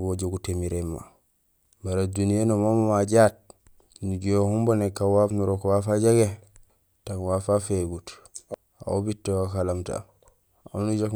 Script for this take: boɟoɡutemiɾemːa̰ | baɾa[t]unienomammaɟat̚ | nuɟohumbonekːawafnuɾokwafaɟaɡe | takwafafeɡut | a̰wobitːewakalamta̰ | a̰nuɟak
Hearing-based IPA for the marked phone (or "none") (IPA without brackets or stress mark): d